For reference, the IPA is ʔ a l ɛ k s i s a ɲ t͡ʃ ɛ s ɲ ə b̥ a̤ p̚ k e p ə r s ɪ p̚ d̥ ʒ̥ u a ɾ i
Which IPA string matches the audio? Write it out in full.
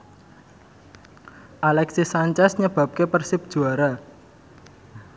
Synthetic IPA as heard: ʔ a l ɛ k s i s a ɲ t͡ʃ ɛ s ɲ ə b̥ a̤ p̚ k e p ə r s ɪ p̚ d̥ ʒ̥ u a ɾ a